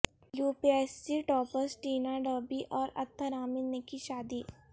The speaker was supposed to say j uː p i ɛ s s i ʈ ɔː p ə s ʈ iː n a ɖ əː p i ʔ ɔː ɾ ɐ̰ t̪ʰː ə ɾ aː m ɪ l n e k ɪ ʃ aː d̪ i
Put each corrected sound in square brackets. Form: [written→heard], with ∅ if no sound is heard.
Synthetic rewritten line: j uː p i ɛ s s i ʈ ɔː p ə s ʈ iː n a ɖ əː [p→b] i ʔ ɔː ɾ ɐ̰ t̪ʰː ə ɾ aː m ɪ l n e k [ɪ→i] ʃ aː d̪ i